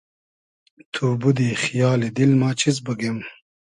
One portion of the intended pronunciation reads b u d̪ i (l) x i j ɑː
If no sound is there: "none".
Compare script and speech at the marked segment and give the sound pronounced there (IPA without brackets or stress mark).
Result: none